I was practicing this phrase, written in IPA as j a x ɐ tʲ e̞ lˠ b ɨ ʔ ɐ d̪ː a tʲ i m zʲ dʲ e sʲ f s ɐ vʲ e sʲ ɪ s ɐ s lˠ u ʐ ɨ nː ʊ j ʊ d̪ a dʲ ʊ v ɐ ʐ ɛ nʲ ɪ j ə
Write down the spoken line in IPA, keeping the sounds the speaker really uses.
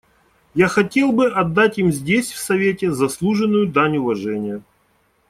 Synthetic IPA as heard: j a x ɐ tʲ e̞ lˠ b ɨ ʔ ɐ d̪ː a tʲ i m zʲ dʲ e sʲ f s ɐ vʲ e tʲ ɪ z ɐ s lˠ u ʐ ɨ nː ʊ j ʊ d̪ a nʲ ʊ v ɐ ʐ ɛ nʲ ɪ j ə